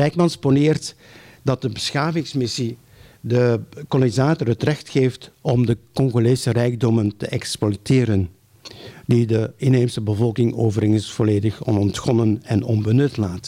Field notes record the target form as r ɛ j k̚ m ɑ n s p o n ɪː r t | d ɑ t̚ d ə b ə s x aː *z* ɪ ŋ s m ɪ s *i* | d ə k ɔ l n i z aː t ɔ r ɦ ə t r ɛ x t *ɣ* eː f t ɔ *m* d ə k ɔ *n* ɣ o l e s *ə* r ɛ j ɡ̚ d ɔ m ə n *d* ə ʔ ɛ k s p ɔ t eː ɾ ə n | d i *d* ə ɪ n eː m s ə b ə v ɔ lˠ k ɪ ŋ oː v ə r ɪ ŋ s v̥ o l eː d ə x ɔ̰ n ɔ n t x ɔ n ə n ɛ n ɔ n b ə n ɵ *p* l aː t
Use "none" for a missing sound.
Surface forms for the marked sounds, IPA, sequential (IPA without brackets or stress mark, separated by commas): v, i, x, m, ŋ, ə, t, d, t